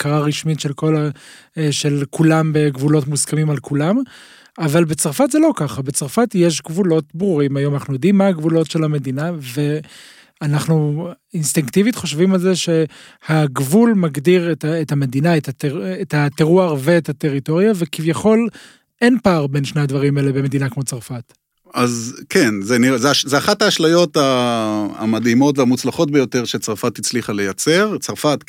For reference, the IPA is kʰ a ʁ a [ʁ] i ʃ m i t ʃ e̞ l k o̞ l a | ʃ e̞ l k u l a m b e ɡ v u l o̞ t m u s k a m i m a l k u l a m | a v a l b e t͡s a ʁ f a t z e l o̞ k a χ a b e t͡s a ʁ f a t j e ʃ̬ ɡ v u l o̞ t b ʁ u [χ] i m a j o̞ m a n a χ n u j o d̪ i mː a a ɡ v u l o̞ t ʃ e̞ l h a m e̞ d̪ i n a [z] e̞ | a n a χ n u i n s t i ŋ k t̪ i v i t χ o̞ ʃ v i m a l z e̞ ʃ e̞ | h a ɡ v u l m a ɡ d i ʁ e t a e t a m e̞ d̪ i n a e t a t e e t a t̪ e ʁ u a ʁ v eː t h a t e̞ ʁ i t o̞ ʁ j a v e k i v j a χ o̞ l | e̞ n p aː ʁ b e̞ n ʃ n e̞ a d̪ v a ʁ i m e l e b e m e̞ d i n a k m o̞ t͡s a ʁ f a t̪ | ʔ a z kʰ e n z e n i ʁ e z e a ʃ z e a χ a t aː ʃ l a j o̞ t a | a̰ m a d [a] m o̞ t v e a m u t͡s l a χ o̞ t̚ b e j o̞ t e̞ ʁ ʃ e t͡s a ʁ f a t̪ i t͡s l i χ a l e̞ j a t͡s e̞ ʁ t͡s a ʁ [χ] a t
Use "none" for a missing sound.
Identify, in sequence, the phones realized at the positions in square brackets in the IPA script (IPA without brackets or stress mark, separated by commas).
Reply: ʁ, ʁ, v, i, f